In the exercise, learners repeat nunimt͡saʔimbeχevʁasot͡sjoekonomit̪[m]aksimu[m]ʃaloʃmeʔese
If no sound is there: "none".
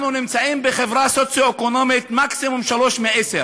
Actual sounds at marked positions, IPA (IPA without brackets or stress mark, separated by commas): m, m